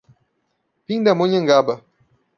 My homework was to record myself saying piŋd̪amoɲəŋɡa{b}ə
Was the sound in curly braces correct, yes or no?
yes